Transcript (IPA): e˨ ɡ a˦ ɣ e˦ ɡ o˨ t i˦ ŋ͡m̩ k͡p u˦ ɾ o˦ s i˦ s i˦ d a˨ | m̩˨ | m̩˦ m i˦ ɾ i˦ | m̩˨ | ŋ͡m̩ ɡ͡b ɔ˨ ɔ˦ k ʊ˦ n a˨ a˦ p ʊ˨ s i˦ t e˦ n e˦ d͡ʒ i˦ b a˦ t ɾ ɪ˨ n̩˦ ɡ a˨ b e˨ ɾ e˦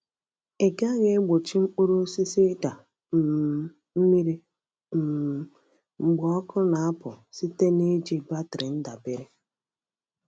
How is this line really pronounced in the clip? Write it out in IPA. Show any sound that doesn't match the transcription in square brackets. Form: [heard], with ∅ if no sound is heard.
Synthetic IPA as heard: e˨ ɡ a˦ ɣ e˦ [ɡ͡b] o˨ [t͡ʃ] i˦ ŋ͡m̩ k͡p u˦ ɾ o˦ s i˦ s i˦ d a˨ | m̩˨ | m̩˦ m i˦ ɾ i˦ | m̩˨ | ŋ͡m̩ ɡ͡b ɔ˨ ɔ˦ k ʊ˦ n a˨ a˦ p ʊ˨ s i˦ t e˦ n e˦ d͡ʒ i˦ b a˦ t ɾ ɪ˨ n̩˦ [d] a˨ b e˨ ɾ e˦